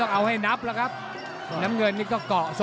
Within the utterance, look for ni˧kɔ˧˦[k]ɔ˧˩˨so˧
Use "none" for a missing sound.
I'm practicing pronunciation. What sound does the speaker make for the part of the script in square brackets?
k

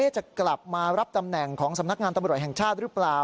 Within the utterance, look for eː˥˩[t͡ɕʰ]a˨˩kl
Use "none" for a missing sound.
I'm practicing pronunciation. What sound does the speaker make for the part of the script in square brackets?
t͡ɕ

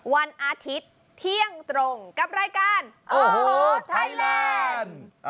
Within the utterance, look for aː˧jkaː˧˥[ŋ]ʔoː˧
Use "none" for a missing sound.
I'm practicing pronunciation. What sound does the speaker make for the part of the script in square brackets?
n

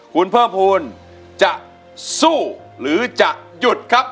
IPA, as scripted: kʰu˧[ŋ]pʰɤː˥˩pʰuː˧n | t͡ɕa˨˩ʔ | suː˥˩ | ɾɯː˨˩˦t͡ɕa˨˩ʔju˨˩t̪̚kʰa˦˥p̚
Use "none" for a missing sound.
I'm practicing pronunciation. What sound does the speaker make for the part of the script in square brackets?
n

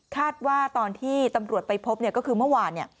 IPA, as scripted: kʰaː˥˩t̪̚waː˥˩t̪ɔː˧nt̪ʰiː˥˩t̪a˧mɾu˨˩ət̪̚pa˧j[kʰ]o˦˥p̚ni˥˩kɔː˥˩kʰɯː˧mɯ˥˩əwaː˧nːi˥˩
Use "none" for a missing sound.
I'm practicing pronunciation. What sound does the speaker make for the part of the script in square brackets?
pʰ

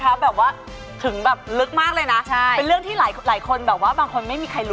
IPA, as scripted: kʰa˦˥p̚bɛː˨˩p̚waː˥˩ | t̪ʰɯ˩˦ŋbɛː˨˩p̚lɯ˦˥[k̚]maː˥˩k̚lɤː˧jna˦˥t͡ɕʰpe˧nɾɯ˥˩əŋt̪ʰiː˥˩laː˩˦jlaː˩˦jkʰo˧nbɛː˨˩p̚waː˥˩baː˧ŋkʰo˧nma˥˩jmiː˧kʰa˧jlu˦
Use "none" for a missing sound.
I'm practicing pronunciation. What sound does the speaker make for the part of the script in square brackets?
k̚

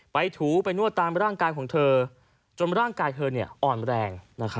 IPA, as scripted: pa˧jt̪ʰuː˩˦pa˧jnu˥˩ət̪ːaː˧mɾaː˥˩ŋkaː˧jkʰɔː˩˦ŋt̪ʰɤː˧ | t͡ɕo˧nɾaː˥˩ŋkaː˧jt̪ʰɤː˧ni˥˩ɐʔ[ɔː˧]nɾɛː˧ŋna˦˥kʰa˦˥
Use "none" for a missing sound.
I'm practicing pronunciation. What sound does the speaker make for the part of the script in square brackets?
ɔː˨˩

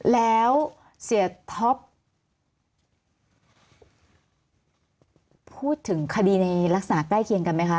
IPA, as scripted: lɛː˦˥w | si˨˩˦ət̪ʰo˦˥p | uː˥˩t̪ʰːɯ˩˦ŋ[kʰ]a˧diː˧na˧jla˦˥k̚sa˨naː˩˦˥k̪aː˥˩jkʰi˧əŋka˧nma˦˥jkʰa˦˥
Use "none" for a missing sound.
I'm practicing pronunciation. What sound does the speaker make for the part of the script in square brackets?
kʰ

